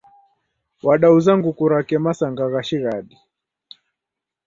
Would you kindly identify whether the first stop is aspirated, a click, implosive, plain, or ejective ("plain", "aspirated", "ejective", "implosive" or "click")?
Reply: implosive